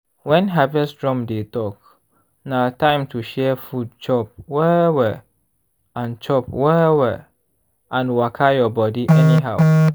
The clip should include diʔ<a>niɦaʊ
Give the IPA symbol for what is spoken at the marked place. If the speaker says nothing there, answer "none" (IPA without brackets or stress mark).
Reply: ɛ